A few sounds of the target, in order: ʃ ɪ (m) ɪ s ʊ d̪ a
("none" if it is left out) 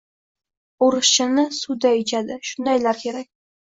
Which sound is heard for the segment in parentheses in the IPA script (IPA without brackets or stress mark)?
n